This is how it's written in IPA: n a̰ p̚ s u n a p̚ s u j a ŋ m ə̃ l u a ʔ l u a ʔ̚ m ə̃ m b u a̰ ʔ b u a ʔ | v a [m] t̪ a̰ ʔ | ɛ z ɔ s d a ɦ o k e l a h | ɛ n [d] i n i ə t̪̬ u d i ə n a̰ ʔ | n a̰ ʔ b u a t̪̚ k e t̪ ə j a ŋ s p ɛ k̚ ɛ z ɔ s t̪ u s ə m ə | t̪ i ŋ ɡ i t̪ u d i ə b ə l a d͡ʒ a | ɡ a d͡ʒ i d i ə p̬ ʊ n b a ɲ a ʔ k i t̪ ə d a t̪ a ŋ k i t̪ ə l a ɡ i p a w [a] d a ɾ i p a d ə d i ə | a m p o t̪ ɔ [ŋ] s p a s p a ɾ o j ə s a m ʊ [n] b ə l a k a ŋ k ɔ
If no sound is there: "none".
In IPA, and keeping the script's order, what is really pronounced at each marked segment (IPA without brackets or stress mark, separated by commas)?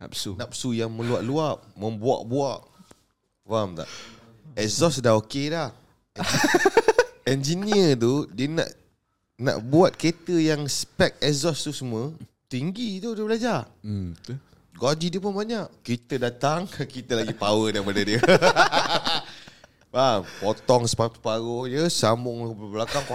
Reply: m, d͡ʒ, ə, ŋ, ŋ